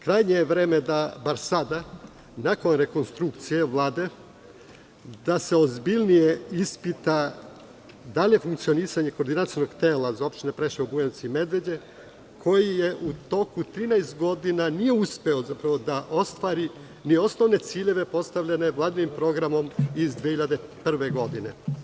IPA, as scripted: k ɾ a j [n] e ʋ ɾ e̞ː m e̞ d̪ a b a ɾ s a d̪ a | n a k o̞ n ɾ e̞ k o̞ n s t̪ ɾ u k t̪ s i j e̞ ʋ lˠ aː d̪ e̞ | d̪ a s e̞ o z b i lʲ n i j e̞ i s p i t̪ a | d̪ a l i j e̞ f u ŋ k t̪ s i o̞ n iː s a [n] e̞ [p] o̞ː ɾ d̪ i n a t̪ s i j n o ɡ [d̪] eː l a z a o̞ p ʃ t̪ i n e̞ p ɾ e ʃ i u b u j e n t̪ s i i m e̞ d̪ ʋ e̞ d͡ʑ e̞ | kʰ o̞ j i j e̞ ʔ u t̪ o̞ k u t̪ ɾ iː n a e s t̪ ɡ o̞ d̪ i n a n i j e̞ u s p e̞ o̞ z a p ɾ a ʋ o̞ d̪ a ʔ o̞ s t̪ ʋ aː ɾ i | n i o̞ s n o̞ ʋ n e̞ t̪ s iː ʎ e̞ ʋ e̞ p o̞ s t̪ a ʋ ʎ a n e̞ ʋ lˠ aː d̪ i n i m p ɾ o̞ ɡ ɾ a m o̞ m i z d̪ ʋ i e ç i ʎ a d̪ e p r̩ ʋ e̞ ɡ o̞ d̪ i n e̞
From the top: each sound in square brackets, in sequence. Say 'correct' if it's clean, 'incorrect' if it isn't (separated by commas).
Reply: incorrect, incorrect, incorrect, incorrect